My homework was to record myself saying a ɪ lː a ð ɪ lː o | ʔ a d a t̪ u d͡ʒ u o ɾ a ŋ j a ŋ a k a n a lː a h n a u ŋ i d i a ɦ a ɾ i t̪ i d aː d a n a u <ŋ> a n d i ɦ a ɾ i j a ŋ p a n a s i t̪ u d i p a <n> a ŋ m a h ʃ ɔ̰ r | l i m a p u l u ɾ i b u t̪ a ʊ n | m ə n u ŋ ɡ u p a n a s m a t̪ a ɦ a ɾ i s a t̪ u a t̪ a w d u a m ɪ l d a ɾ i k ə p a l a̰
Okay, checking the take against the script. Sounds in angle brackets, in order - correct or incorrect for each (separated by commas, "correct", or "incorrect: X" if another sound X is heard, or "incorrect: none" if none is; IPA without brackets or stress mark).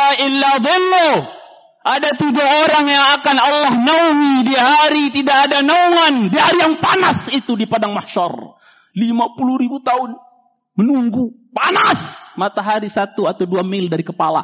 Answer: correct, incorrect: d